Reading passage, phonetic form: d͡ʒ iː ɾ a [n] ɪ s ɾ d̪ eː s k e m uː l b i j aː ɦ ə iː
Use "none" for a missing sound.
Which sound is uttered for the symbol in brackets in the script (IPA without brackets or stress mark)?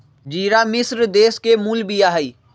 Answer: m